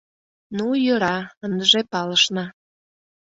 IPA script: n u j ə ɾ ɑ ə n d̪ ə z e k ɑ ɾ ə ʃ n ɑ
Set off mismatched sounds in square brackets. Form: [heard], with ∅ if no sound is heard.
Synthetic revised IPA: n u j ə ɾ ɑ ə n d̪ ə [ʒ] e [p] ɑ [l] ə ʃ n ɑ